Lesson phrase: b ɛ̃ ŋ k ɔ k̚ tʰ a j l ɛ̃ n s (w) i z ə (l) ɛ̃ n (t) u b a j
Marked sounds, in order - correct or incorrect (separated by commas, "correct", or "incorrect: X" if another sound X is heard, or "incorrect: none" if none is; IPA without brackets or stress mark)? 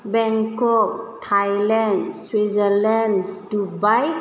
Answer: correct, correct, incorrect: d